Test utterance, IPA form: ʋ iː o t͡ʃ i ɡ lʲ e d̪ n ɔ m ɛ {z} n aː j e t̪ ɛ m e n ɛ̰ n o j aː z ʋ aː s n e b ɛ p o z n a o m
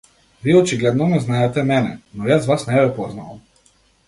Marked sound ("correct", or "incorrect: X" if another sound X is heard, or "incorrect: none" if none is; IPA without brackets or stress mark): correct